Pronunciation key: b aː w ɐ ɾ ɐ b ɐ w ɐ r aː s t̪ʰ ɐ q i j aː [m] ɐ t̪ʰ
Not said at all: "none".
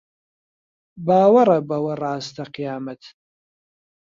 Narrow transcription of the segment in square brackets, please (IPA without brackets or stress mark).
m